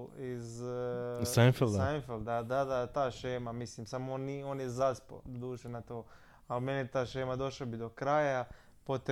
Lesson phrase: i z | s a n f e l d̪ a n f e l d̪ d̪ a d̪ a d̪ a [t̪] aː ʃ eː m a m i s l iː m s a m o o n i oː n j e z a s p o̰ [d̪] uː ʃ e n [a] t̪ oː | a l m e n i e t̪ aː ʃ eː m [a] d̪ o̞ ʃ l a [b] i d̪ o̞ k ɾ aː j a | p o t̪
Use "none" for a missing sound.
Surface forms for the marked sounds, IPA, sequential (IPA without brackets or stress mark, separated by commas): t̪, d̪, a, a, b